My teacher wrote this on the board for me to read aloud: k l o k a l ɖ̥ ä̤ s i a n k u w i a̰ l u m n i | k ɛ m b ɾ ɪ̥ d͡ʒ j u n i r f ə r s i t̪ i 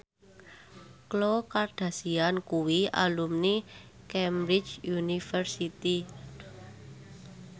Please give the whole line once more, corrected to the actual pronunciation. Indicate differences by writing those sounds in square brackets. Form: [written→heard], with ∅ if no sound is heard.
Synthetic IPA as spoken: k l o k a [l→r] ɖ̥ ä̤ s i a n k u w i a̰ l u m n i | k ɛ m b ɾ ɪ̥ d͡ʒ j u n i [r→∅] f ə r s i t̪ i